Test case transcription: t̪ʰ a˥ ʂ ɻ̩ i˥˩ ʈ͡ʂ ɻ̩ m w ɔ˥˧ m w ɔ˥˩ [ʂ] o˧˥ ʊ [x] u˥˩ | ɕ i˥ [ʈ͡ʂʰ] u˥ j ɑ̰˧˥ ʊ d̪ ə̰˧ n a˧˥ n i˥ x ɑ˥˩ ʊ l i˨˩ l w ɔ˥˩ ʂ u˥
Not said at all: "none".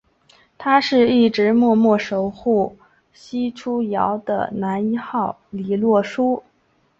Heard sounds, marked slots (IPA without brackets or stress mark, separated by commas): ʂ, x, ʈ͡ʂʰ